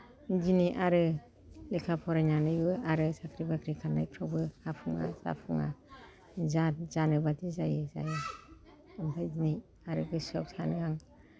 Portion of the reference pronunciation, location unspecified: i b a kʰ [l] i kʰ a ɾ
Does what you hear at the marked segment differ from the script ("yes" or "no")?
yes